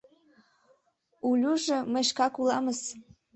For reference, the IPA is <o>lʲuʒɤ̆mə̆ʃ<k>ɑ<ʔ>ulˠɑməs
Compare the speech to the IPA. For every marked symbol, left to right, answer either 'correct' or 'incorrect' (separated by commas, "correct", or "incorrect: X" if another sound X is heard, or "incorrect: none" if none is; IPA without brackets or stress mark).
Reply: incorrect: u, correct, incorrect: k